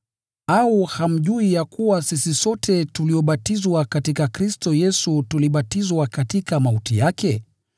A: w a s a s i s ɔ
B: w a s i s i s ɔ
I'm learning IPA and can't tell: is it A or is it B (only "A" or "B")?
B